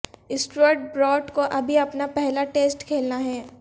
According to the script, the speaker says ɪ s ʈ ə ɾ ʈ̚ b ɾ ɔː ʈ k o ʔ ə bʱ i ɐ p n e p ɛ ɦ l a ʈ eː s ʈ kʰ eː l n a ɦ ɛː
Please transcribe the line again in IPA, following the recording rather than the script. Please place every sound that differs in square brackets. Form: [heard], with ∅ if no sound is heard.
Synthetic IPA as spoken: ɪ s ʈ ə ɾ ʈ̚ b ɾ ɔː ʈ k o ʔ [ɐ] bʱ i ɐ p n [a] p ɛ ɦ l a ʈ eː s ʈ kʰ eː l n a ɦ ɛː